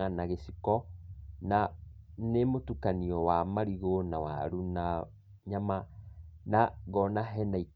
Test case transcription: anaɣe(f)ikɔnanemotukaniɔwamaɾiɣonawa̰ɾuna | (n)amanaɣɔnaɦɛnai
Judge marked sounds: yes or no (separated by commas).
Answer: no, no